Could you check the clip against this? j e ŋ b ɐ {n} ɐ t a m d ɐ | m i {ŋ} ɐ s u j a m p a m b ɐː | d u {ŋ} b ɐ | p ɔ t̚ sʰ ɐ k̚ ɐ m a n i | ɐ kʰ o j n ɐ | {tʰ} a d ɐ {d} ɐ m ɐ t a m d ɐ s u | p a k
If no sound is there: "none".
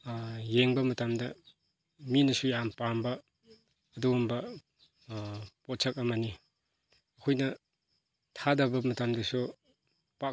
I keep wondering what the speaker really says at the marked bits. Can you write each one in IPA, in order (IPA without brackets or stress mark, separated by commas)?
m, n, m, tʰ, b